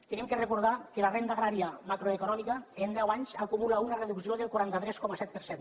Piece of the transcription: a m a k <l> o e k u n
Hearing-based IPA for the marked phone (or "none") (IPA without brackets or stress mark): ɾ